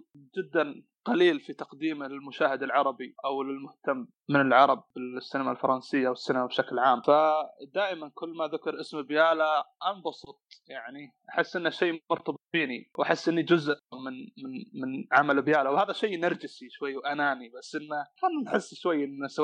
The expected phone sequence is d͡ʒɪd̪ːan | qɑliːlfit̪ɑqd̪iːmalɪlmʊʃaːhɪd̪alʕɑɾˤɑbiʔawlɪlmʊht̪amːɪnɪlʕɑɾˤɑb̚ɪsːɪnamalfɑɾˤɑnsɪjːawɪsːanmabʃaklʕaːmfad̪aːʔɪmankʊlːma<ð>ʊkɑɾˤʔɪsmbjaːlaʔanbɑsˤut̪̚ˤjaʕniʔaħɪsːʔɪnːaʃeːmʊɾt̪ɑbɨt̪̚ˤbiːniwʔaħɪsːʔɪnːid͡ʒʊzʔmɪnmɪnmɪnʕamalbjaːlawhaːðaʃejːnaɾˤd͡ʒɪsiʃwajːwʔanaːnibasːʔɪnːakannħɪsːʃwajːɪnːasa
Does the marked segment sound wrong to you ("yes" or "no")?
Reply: no